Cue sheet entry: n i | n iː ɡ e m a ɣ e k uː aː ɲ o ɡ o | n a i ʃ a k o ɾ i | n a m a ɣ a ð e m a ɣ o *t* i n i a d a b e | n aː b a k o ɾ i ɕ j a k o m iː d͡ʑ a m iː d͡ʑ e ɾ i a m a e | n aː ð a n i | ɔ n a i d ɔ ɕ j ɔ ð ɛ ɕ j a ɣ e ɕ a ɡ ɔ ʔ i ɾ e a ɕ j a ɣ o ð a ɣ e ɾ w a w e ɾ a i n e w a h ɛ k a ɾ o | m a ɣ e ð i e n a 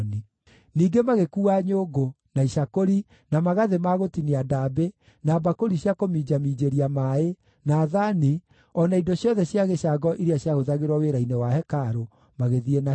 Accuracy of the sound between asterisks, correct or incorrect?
correct